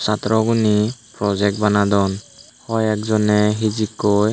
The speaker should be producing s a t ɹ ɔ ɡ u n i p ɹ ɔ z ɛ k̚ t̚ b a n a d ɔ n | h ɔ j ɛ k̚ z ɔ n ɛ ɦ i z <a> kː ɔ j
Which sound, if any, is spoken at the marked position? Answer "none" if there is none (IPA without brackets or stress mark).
i